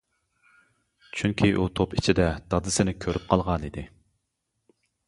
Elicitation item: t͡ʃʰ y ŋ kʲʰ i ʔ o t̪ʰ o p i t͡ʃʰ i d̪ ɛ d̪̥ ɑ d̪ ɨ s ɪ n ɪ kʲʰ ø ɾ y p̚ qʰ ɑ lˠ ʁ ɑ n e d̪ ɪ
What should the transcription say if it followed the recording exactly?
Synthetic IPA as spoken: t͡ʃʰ y ŋ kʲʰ i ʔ u t̪ʰ o p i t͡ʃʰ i d̪ ɛ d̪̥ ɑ d̪ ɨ s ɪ n ɪ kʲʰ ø ɾ y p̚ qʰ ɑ lˠ ʁ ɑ n i d̪ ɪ